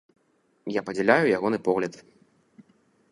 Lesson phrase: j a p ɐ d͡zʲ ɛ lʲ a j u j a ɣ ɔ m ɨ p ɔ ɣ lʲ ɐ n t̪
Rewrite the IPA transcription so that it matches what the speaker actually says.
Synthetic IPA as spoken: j a p ɐ d͡zʲ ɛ lʲ a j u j a ɣ ɔ n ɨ p ɔ ɣ lʲ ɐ t̪